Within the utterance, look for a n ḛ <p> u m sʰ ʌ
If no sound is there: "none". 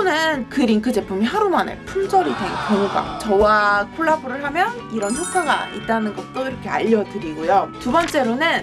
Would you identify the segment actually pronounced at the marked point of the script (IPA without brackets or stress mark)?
pʰ